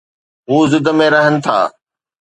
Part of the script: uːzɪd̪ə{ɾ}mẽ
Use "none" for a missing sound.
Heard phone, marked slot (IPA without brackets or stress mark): none